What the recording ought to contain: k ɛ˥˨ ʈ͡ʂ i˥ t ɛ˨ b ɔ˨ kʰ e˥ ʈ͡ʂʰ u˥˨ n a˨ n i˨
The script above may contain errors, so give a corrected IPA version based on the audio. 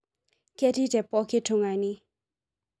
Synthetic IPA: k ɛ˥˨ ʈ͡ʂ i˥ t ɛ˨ p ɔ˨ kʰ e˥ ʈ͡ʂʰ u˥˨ ŋ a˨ n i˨